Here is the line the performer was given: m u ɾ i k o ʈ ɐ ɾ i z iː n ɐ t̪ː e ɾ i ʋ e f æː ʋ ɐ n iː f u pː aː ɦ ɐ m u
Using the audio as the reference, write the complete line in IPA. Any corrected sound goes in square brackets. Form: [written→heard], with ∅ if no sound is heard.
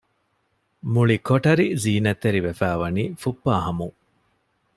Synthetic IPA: m u [ɾ→ɭ] i k o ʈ ɐ ɾ i z iː n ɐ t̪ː e ɾ i ʋ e f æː ʋ ɐ n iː f u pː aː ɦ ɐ m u